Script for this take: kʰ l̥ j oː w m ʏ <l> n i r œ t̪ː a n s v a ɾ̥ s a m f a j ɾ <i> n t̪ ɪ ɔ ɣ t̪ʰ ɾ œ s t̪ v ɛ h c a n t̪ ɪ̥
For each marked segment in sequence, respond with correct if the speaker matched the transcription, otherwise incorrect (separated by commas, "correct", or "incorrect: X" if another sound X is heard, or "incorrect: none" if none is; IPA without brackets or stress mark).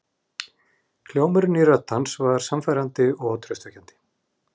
incorrect: ɾ, incorrect: a